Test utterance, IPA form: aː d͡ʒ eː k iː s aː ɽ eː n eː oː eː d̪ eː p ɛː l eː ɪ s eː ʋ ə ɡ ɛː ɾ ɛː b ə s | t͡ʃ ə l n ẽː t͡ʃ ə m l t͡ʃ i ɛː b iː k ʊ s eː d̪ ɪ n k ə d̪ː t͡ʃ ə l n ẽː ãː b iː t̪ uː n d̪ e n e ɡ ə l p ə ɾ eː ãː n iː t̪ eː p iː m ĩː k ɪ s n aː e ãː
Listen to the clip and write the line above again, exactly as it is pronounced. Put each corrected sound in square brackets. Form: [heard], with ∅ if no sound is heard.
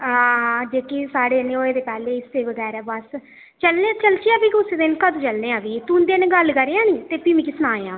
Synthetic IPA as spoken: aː d͡ʒ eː k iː s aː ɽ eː n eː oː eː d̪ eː p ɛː l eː ɪ s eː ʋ ə ɡ ɛː ɾ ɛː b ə s | t͡ʃ ə l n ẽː t͡ʃ ə [∅] l t͡ʃ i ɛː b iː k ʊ s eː d̪ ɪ n k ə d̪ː t͡ʃ ə l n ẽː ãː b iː t̪ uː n d̪ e n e ɡ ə l [k] ə ɾ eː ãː n iː t̪ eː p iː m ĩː k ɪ s n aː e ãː